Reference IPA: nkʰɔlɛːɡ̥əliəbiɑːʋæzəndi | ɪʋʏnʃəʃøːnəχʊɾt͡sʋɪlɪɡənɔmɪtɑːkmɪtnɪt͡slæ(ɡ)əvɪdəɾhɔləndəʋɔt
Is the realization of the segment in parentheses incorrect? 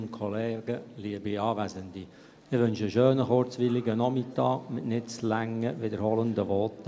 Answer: yes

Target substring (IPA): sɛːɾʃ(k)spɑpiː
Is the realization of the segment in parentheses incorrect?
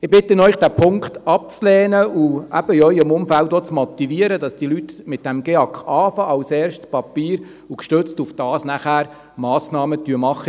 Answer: yes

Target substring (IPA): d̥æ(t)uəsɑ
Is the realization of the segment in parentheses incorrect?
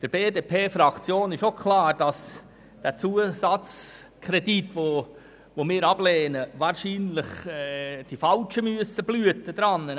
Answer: yes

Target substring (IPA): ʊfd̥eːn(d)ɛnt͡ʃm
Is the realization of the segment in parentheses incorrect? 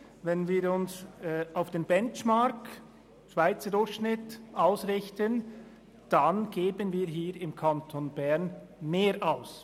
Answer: yes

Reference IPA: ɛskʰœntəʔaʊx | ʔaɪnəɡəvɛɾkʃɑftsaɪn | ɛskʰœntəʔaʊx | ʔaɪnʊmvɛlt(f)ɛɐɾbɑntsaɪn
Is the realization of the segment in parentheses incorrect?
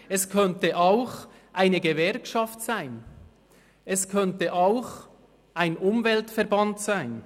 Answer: no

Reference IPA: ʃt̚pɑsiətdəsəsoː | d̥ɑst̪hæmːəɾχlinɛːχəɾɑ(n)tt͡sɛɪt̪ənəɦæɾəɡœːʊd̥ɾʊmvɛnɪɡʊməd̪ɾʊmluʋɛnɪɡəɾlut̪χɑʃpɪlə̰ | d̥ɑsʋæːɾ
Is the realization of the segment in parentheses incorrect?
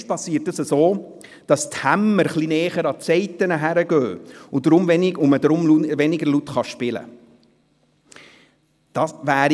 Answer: yes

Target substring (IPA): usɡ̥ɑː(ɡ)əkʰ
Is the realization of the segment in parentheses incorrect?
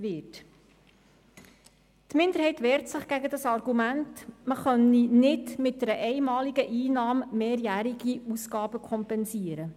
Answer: yes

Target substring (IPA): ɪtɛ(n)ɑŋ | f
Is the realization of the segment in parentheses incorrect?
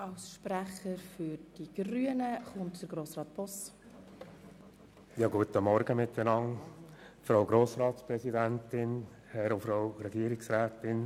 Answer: no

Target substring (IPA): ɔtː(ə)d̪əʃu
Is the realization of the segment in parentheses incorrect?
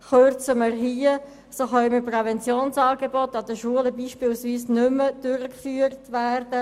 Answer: yes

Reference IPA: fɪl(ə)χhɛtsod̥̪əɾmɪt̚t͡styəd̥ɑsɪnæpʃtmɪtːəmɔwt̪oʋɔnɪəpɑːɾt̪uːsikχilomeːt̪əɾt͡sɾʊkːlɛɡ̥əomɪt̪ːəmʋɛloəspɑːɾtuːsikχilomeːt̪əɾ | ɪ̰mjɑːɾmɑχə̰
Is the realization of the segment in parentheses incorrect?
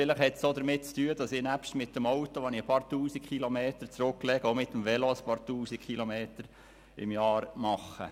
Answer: no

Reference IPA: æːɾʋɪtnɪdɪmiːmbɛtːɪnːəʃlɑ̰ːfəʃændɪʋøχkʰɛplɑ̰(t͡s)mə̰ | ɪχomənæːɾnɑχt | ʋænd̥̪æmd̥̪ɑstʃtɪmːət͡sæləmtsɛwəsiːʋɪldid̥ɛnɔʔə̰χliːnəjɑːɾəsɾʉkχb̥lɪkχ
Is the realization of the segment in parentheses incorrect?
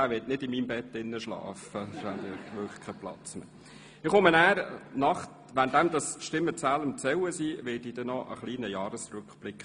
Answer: no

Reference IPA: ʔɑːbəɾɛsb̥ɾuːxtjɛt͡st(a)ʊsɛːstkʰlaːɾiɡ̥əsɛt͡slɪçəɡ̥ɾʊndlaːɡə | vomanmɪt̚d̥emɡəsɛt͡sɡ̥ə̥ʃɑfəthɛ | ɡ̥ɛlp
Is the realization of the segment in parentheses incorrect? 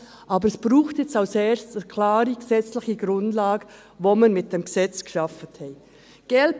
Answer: no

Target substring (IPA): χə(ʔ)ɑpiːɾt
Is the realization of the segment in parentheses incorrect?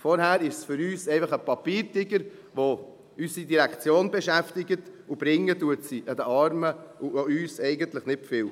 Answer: yes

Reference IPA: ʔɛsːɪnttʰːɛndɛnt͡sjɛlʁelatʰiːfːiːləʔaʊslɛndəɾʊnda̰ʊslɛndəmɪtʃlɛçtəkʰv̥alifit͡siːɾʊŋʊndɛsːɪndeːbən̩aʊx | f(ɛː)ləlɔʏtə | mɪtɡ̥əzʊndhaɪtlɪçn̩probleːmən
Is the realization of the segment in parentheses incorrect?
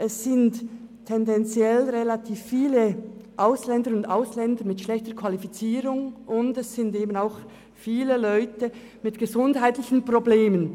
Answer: yes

